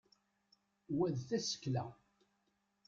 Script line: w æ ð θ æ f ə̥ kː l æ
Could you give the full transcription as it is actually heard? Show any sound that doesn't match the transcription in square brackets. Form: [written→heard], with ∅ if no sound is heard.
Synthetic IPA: w æ ð θ æ [f→s] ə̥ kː l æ